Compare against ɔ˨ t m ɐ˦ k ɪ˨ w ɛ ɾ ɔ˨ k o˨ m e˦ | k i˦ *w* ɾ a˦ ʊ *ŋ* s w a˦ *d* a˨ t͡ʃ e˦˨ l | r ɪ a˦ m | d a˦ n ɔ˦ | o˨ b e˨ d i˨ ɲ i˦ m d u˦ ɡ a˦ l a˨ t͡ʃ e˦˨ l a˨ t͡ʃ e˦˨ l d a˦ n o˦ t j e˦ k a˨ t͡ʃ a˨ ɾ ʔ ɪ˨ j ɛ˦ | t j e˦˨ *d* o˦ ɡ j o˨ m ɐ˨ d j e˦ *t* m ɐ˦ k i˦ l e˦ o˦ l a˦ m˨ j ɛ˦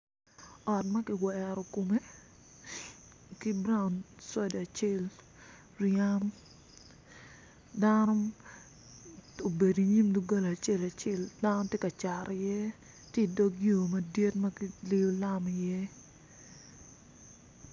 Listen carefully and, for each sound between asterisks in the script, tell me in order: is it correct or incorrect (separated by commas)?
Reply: incorrect, incorrect, correct, correct, correct